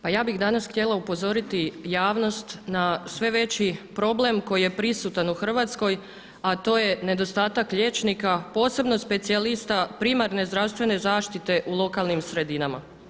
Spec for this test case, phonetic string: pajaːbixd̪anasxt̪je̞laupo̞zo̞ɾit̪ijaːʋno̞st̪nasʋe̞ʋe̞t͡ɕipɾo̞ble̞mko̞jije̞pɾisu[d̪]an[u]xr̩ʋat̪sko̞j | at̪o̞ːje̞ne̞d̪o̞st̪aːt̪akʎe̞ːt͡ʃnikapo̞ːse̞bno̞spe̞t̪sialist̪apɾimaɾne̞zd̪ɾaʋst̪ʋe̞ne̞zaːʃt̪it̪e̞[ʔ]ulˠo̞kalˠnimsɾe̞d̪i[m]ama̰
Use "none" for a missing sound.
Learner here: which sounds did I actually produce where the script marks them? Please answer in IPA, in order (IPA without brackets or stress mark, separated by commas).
t̪, u, ʔ, n